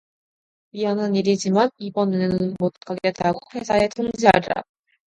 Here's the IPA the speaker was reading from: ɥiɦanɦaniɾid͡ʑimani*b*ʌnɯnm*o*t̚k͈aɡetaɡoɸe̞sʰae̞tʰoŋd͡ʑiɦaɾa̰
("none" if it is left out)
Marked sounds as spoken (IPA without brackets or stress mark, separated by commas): b, o